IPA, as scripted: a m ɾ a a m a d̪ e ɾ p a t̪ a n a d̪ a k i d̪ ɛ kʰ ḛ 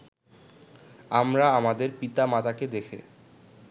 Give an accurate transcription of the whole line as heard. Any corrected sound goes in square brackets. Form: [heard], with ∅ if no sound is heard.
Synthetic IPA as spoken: a m ɾ a a m a d̪ e ɾ p [i] t̪ a [m] a [t̪] a k [e] d̪ [e] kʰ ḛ